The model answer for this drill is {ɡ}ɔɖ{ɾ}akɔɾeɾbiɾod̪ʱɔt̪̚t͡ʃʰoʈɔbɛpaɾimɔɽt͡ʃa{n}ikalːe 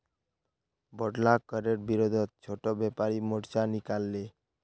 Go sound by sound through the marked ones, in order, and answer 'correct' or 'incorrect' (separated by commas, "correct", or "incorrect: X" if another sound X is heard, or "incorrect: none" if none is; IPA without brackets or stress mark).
incorrect: b, incorrect: l, correct